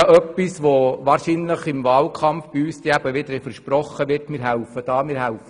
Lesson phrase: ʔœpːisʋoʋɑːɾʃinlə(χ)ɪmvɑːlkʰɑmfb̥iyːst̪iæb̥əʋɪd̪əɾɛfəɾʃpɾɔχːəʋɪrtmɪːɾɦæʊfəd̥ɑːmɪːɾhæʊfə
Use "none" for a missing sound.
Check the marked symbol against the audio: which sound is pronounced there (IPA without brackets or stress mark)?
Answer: χ